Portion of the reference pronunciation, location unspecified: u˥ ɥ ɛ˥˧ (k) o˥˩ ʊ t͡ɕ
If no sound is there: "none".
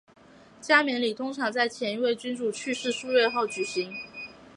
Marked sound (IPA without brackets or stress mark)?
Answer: x